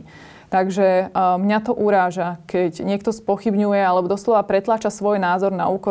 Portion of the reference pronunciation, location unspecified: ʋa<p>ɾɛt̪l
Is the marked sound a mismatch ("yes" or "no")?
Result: no